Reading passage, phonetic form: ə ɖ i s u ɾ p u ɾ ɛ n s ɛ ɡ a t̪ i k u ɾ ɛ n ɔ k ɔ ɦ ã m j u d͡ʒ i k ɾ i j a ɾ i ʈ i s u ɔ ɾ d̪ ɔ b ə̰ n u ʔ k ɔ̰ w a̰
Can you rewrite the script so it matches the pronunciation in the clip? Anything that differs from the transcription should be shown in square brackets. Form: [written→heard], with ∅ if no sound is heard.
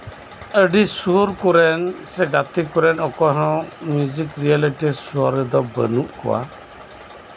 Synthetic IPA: ə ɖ i s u ɾ [p→k] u ɾ ɛ n s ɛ ɡ a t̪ i k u ɾ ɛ n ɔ k ɔ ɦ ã m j u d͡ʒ i k ɾ i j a [ɾ→l] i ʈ i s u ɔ ɾ d̪ ɔ b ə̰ n u ʔ k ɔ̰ w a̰